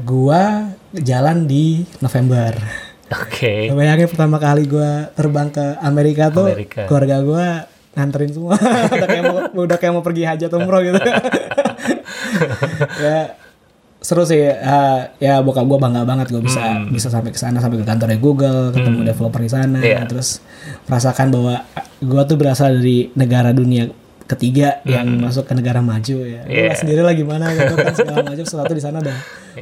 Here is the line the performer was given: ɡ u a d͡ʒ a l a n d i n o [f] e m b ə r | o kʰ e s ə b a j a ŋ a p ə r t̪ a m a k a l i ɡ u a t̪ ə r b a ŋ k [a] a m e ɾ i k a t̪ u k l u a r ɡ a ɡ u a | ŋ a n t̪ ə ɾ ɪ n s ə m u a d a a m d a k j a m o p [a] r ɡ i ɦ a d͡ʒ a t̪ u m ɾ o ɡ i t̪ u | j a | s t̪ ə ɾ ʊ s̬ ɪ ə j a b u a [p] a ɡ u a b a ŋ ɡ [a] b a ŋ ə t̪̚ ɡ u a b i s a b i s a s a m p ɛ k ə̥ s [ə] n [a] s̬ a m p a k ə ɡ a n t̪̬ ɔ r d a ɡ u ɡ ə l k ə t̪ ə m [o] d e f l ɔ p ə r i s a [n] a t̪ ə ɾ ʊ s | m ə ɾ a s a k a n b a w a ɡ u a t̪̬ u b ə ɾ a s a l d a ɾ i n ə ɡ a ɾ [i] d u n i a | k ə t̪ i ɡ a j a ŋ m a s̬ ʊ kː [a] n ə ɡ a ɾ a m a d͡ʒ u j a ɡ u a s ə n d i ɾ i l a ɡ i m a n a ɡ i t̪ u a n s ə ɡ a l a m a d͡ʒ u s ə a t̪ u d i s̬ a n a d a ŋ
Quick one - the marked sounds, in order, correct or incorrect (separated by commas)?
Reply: correct, incorrect, incorrect, incorrect, correct, incorrect, correct, incorrect, correct, incorrect, incorrect